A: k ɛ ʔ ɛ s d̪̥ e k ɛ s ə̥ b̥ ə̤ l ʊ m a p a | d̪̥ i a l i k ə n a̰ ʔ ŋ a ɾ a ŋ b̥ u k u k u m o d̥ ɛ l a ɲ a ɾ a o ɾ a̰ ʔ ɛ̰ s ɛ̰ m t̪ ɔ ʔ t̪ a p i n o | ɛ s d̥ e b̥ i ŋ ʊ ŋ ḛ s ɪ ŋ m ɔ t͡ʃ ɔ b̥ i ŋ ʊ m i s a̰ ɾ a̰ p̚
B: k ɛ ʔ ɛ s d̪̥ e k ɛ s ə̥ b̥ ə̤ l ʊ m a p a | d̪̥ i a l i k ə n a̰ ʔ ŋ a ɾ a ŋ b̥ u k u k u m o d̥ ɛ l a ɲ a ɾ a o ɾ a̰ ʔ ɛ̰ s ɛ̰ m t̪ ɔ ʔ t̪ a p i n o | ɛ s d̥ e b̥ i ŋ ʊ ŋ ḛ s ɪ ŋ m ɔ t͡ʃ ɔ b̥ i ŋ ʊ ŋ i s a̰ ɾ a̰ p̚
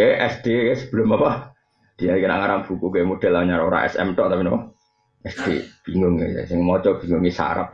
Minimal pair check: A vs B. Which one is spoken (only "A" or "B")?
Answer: B